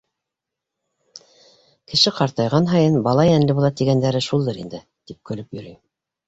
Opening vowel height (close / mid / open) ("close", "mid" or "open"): mid